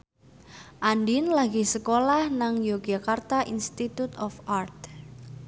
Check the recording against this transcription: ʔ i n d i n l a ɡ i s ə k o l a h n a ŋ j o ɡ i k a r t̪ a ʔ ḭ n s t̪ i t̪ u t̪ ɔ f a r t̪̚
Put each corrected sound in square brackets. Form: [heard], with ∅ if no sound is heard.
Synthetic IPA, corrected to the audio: ʔ [a] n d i n l a ɡ i s ə k o l a h n a ŋ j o ɡ [a] k a r t̪ a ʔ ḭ n s t̪ i t̪ u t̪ ɔ f a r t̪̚